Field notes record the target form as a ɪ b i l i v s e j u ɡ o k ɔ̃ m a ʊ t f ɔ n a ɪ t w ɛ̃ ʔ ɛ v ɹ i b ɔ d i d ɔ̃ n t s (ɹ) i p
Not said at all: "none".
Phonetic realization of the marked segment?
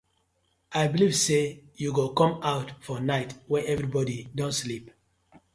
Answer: l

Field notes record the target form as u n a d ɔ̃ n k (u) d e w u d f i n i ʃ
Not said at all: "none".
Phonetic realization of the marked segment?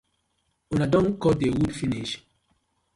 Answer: ɔ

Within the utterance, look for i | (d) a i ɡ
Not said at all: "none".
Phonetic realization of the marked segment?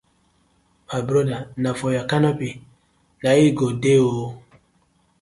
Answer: n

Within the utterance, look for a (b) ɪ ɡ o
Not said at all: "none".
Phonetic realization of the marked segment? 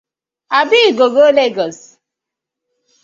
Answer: b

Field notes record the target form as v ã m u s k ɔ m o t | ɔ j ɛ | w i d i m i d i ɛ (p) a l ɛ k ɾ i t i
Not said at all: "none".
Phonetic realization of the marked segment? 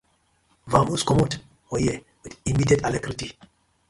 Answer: t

